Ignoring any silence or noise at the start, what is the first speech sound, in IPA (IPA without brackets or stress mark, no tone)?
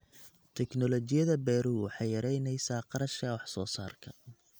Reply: t̪ʰ